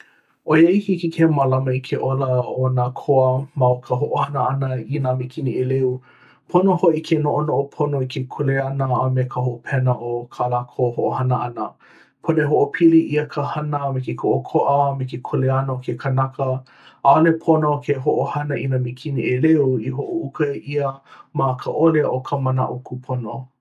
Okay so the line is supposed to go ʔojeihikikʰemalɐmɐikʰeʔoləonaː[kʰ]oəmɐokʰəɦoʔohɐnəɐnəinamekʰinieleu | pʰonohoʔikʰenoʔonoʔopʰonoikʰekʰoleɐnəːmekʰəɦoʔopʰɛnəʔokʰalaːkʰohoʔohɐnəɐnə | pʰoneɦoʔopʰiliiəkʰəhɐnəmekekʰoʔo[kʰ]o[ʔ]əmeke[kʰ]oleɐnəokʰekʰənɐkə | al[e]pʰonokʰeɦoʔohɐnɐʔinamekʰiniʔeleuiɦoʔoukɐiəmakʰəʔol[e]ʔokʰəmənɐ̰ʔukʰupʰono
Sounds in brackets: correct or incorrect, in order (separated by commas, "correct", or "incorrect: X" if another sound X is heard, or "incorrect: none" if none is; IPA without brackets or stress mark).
correct, correct, correct, correct, correct, correct